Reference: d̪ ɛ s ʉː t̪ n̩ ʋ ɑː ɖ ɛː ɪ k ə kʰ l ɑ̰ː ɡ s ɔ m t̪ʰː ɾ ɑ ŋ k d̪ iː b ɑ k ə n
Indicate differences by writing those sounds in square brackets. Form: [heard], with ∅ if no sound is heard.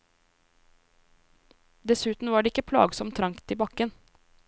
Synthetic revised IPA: d̪ ɛ s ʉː t̪ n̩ ʋ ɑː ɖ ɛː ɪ k ə [pʰ] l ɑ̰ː ɡ s ɔ m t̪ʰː ɾ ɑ ŋ k [t̪] iː b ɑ k ə n